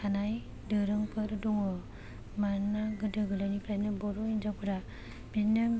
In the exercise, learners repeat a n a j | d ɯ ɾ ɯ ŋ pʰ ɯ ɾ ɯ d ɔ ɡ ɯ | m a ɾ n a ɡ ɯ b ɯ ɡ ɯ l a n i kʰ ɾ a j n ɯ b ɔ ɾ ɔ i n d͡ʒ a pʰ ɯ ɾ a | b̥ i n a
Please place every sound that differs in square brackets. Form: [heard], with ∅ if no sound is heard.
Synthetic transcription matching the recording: a n a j | d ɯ ɾ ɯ ŋ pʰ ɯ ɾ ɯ d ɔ [ŋ] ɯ | m a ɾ n a ɡ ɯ [d] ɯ ɡ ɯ l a n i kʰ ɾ a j n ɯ b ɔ ɾ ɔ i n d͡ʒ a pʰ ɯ ɾ a | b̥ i n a